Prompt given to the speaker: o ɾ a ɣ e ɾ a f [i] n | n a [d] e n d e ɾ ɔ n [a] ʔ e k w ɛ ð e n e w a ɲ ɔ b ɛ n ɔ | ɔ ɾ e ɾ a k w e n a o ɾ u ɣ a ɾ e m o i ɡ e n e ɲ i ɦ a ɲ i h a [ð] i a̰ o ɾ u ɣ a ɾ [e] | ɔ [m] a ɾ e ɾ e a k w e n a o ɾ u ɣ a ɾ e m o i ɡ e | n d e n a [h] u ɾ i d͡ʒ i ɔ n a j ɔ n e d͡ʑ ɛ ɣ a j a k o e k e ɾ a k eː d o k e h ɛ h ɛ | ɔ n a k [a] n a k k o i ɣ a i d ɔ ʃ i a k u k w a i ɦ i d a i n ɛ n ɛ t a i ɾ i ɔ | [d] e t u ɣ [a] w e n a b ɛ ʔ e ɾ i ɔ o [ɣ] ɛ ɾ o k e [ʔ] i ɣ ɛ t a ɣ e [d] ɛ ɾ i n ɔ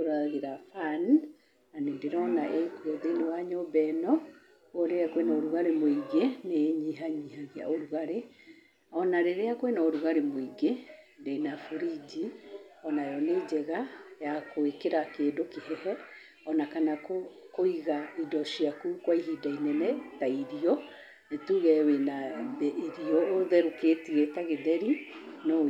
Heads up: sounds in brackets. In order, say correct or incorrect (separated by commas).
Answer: incorrect, incorrect, correct, incorrect, correct, incorrect, incorrect, correct, incorrect, incorrect, incorrect, incorrect, correct